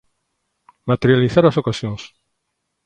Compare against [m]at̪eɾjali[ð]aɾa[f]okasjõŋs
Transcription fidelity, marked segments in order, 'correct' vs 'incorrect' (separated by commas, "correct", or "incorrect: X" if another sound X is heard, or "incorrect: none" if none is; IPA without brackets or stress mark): correct, incorrect: θ, incorrect: s